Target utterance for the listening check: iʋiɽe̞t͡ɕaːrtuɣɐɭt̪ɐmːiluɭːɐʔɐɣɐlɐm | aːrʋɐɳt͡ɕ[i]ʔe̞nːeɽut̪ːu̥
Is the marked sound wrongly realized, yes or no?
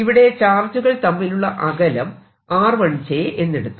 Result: yes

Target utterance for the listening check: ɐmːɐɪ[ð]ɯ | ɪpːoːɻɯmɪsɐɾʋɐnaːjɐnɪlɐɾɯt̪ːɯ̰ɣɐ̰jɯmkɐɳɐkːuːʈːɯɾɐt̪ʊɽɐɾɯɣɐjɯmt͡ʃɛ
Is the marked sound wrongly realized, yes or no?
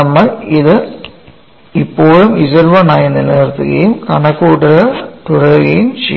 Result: no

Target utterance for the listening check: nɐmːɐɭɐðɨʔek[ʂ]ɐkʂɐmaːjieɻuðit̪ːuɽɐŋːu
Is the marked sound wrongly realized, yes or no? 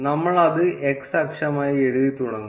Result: yes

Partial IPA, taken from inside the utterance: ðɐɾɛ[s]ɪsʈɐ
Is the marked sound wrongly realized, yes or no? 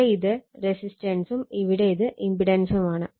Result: no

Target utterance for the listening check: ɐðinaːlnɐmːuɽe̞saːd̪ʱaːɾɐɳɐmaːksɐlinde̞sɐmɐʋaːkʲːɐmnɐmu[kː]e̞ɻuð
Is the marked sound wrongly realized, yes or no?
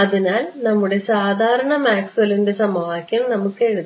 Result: no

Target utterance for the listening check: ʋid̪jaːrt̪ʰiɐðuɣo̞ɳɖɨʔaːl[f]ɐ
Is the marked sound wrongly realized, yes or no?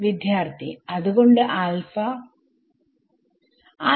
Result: no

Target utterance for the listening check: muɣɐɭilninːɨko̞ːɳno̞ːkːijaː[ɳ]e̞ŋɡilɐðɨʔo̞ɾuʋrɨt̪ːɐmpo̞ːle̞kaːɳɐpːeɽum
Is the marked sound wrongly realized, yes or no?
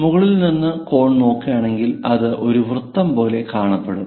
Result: no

